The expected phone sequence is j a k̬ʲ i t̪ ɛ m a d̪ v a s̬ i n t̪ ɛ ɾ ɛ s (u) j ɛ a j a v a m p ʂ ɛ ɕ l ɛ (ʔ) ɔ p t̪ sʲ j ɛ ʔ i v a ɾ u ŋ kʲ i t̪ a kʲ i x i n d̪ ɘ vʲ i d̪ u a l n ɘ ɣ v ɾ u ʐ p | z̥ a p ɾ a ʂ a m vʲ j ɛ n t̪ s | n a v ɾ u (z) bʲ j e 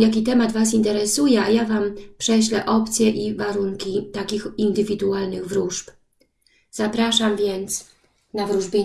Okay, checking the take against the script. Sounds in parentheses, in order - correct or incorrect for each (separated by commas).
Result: correct, correct, incorrect